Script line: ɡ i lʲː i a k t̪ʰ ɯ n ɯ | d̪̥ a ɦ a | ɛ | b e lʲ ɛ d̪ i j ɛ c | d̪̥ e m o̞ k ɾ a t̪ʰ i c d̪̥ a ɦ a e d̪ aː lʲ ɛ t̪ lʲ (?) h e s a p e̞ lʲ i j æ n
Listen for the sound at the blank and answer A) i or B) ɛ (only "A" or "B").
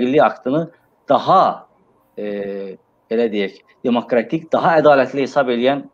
A